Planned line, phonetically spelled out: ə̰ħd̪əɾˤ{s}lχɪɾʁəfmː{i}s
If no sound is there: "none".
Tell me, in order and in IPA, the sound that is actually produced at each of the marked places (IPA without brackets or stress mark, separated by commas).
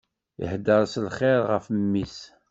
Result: s, i